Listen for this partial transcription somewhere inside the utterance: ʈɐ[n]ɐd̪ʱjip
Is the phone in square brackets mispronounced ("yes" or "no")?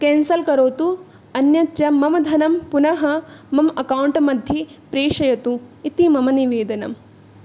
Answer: yes